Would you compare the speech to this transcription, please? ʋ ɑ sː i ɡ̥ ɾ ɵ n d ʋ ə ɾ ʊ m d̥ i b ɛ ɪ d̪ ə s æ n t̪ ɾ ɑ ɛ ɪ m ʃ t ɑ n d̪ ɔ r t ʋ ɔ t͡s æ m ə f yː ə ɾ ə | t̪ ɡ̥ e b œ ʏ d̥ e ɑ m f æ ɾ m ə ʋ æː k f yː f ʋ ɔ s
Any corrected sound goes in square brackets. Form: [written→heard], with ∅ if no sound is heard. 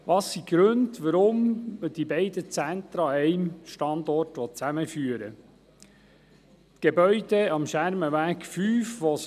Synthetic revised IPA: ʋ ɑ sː i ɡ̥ ɾ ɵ n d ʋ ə ɾ ʊ m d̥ i b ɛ ɪ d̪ ə [s→t͡s] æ n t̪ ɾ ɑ ɛ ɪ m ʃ t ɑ n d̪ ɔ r t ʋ ɔ t͡s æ m ə f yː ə ɾ ə | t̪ ɡ̥ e b œ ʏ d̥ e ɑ m [f→ʃ] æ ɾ m ə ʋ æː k f yː f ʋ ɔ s